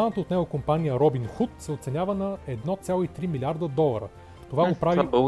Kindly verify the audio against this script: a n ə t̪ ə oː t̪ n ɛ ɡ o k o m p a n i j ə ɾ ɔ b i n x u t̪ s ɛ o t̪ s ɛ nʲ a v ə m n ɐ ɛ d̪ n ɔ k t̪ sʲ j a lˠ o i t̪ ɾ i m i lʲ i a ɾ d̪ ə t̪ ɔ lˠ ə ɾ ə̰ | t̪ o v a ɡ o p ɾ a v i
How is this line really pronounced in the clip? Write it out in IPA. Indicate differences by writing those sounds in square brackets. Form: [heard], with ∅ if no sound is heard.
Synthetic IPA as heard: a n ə t̪ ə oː t̪ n ɛ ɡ o k o m p a n i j ə ɾ ɔ b i n x u t̪ s ɛ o t̪ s ɛ nʲ a v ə [∅] n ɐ ɛ d̪ n ɔ [∅] t̪ sʲ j a lˠ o i t̪ ɾ i m i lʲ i a ɾ d̪ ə [d̪] ɔ lˠ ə ɾ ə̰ | t̪ o v a ɡ o p ɾ a v i